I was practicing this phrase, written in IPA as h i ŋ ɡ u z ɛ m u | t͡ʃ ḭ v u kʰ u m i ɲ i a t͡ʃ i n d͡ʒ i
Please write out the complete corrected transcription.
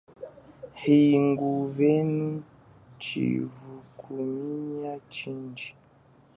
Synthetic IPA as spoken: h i ŋ ɡ u v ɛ n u | t͡ʃ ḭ v u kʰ u m i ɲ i a t͡ʃ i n d͡ʒ i